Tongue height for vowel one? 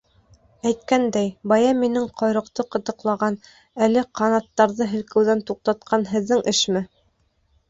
low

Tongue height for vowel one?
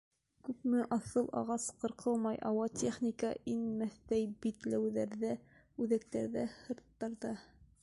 high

